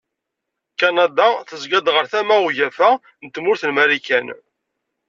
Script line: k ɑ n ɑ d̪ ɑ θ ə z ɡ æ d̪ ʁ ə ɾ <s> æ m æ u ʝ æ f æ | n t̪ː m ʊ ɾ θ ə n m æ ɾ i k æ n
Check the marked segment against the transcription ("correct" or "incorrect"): incorrect